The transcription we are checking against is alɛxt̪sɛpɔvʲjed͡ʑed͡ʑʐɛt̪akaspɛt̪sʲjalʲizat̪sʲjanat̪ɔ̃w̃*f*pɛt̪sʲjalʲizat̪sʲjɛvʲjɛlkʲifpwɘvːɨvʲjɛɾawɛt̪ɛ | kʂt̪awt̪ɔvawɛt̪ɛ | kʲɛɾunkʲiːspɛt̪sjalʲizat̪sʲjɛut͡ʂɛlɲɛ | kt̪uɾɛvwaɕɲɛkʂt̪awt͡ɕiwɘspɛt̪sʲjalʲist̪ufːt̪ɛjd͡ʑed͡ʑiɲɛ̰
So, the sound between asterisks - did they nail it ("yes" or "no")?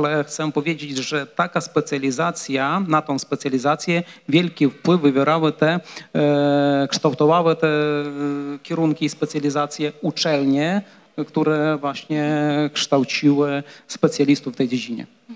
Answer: no